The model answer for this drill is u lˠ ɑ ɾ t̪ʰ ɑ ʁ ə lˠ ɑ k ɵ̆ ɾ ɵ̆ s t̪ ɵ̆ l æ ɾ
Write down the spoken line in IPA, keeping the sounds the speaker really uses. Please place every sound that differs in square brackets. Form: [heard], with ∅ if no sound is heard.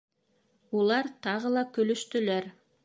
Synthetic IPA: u lˠ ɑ ɾ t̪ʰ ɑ ʁ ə lˠ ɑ k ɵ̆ [l] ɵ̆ [ʃ] t̪ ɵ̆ l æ ɾ